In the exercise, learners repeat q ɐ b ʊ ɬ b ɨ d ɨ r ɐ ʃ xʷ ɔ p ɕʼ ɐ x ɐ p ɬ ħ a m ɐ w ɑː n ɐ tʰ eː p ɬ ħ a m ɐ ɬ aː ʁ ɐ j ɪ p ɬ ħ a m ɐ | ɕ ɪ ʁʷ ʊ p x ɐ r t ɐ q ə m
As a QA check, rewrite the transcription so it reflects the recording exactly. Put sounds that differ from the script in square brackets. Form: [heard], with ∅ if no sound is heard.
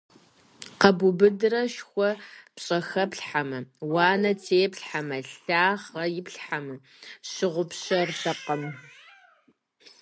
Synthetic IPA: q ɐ b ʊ [∅] b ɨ d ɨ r ɐ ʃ xʷ ɔ p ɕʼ ɐ x ɐ p ɬ ħ a m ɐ w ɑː n ɐ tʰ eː p ɬ ħ a m ɐ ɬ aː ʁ ɐ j ɪ p ɬ ħ a m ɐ | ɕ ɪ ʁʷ ʊ p [ɕ] ɐ r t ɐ q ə m

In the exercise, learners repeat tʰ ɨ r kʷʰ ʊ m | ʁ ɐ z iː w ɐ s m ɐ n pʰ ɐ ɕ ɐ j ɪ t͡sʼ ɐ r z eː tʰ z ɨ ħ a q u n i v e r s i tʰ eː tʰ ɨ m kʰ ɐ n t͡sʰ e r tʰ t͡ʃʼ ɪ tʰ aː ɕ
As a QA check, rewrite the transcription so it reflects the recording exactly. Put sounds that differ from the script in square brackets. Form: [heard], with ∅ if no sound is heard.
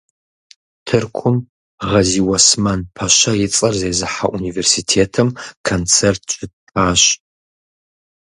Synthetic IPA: tʰ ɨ r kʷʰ ʊ m | ʁ ɐ z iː w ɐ s m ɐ n pʰ ɐ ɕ ɐ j ɪ t͡sʼ ɐ r z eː [∅] z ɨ ħ a [ʔ] u n i v e r s i tʰ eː tʰ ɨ m kʰ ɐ n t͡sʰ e r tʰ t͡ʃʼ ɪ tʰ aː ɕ

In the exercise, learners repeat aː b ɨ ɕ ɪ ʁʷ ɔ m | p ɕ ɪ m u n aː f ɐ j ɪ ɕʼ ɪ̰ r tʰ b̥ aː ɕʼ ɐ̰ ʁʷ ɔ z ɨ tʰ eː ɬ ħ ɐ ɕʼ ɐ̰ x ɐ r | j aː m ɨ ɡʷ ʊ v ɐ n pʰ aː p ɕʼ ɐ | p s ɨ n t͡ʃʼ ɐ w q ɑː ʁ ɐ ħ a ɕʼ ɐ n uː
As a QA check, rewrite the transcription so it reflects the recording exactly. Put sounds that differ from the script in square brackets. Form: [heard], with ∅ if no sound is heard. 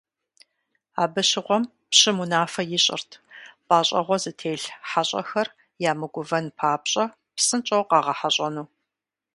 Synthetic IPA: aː b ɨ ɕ ɪ ʁʷ ɔ m | p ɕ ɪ m u n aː f ɐ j ɪ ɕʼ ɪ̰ r tʰ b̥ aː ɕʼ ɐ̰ ʁʷ ɔ z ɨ tʰ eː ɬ ħ [a] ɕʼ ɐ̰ x ɐ r | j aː m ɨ ɡʷ ʊ v ɐ n pʰ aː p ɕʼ ɐ | p s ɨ n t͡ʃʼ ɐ w q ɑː ʁ ɐ ħ a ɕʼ ɐ n uː

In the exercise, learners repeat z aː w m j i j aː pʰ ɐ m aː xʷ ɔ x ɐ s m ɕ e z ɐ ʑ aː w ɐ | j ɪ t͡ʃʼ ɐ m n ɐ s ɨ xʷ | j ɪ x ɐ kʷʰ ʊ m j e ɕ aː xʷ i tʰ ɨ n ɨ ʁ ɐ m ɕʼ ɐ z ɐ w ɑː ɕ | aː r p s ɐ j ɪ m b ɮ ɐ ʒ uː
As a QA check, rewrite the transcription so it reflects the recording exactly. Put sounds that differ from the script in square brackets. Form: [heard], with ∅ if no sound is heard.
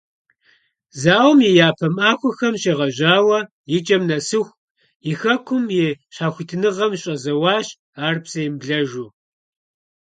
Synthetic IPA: z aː w m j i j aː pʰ ɐ m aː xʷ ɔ x ɐ [∅] m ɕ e [ʁ] ɐ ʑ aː w ɐ | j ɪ t͡ʃʼ ɐ m n ɐ s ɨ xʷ | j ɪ x ɐ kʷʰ ʊ m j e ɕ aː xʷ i tʰ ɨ n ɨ ʁ ɐ m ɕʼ ɐ z ɐ w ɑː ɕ | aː r p s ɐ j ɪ m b ɮ ɐ ʒ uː

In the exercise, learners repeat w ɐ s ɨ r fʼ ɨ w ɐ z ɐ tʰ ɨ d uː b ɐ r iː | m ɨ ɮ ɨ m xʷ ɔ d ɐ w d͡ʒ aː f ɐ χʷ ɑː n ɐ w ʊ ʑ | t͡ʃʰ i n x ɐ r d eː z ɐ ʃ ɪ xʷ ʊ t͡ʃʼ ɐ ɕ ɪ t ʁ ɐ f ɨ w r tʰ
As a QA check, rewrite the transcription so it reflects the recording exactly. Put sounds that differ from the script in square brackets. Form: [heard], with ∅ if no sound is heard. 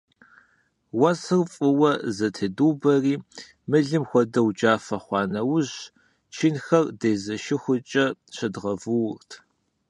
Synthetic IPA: w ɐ s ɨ r fʼ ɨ w ɐ z ɐ tʰ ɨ d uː b ɐ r iː | m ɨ ɮ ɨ m xʷ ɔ d ɐ w d͡ʒ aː f ɐ χʷ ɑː n ɐ w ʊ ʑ | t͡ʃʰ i n x ɐ r d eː z ɐ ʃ ɪ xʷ ʊ t͡ʃʼ ɐ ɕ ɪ [d] ʁ ɐ [v] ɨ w r tʰ

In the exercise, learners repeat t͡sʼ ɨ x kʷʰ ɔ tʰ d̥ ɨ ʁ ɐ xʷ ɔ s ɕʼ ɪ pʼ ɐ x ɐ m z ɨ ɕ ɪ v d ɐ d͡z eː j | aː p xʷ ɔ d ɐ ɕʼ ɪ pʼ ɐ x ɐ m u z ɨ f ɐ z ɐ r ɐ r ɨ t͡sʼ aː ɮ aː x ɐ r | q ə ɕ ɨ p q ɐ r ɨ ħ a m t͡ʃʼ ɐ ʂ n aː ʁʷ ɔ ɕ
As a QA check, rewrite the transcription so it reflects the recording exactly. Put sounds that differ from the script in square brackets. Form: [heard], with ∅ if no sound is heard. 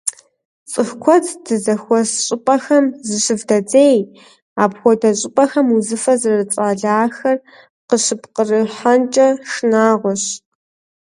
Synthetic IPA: t͡sʼ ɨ x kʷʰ ɔ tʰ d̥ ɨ [z] ɐ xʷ ɔ s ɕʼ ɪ pʼ ɐ x ɐ m z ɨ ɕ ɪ v d ɐ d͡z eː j | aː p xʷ ɔ d ɐ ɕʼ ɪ pʼ ɐ x ɐ m u z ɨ f ɐ z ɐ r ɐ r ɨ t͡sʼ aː ɮ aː x ɐ r | q ə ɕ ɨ p q [ə] r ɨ ħ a [n] t͡ʃʼ ɐ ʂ n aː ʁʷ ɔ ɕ

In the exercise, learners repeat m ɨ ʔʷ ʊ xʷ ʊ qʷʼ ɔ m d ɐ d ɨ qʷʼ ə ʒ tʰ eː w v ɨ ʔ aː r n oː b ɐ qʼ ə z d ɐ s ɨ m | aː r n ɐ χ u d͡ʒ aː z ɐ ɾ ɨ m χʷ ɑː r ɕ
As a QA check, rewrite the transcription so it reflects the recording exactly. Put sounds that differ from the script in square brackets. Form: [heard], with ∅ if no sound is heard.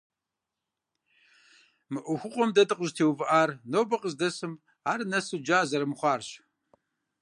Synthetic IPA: m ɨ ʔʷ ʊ xʷ ʊ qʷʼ ɔ m d ɐ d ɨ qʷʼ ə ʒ tʰ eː w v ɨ ʔ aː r n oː b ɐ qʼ ə z d ɐ s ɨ m | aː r n ɐ [s] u d͡ʒ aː z ɐ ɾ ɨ m χʷ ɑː r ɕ

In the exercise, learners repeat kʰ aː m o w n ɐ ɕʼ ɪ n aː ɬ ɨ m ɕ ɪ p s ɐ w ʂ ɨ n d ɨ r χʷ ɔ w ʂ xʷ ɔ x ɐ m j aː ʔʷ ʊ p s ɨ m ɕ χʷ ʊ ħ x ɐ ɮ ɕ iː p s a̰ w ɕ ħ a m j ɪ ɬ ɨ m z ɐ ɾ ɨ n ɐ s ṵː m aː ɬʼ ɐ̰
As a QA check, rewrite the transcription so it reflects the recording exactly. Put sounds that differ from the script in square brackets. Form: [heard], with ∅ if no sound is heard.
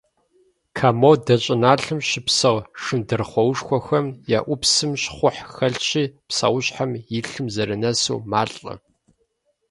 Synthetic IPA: kʰ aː m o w [d] ɐ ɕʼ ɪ n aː ɬ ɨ m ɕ ɪ p s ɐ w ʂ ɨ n d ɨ r χʷ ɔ w ʂ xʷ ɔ x ɐ m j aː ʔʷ ʊ p s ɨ m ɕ χʷ ʊ ħ x ɐ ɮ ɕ iː p s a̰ w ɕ ħ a m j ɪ ɬ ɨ m z ɐ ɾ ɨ n ɐ s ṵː m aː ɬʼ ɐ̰

